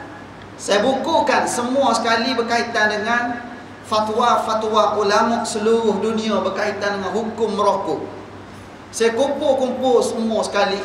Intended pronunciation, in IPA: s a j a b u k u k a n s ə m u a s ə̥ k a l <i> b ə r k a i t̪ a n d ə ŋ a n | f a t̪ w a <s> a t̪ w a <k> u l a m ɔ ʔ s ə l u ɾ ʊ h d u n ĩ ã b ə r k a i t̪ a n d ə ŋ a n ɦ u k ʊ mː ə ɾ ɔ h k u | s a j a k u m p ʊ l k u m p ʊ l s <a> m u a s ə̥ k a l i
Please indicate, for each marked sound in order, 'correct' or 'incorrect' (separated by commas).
correct, incorrect, correct, incorrect